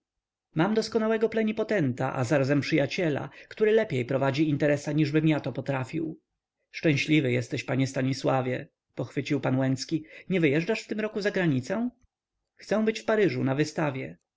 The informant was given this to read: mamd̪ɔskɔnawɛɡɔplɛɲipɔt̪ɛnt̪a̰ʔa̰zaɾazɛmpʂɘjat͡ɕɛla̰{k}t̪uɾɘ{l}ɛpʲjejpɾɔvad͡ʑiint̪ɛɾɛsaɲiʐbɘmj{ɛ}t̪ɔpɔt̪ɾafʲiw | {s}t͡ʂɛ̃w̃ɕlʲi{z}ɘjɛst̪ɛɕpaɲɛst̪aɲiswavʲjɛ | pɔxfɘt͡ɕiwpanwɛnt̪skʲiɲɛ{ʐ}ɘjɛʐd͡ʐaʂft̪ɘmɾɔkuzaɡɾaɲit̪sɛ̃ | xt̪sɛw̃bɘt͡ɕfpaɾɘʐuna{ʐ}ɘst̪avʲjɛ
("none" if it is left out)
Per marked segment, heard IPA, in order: k, l, a, ʂ, v, v, v

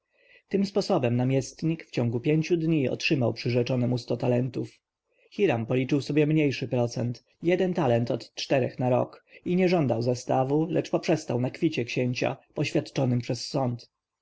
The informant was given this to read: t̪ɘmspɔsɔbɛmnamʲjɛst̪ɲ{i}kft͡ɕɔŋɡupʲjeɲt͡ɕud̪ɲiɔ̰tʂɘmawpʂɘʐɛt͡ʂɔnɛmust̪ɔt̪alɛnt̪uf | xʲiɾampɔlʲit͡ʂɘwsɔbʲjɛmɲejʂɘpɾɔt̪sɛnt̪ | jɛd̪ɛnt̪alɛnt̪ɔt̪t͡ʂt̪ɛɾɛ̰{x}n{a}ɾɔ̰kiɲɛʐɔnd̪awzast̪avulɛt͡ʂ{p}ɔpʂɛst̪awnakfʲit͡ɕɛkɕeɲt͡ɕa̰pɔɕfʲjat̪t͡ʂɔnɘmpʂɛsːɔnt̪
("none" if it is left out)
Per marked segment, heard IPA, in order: i, x, a, p

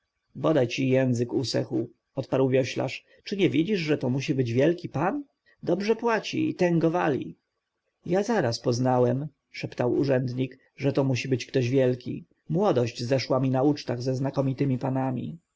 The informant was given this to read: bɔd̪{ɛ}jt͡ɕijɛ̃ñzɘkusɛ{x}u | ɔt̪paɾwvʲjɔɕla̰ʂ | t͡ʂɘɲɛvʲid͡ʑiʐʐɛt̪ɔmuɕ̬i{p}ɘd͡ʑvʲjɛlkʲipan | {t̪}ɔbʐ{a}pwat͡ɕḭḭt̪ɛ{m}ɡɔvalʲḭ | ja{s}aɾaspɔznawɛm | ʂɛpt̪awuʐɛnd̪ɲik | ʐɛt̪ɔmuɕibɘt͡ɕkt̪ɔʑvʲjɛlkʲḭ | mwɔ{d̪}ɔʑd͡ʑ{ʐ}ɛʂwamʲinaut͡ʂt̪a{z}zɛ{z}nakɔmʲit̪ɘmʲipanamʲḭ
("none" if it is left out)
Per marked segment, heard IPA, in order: a, x, b, d̪, ɛ, ŋ, z, d̪, z, ɣ, z

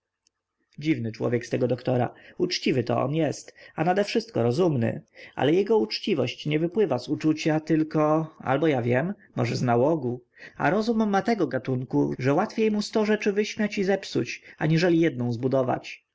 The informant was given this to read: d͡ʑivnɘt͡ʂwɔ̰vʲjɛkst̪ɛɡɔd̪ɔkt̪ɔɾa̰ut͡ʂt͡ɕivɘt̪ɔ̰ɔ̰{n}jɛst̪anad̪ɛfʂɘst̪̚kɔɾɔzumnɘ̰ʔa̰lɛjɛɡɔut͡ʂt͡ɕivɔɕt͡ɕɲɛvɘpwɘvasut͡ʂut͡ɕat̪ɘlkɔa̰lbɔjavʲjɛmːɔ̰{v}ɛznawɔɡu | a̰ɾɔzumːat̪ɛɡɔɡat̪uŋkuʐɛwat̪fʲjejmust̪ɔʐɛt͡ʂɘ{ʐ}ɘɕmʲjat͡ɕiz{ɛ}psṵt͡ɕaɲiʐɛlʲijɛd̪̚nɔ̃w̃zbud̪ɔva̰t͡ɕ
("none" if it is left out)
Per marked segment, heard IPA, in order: n, ʐ, v, ɛ

